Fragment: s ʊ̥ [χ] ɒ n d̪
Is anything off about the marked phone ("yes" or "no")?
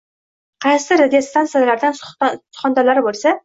no